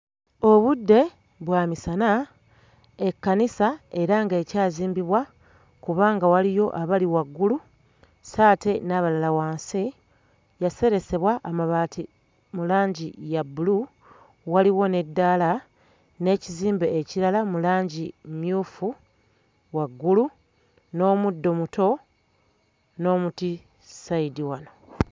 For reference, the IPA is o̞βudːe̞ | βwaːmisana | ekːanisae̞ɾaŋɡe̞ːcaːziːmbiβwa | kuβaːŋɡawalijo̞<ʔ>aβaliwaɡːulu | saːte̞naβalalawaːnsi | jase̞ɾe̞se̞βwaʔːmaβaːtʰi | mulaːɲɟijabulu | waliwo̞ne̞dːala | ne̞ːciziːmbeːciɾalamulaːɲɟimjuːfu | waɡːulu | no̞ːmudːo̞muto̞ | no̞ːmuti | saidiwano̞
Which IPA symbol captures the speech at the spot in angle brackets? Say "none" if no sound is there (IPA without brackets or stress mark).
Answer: ʔ